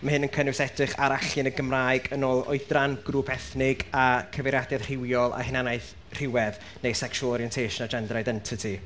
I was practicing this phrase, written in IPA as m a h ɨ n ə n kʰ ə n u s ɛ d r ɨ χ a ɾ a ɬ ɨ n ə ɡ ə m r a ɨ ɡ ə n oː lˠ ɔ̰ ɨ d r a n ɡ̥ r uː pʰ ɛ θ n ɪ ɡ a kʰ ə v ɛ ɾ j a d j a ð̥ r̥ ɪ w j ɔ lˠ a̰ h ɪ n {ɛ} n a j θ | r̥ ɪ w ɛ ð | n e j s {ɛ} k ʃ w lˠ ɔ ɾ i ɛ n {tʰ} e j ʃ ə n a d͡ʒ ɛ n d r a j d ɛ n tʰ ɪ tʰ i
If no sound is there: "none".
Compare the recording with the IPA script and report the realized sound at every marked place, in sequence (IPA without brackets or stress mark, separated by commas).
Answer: a, ɛ, tʰ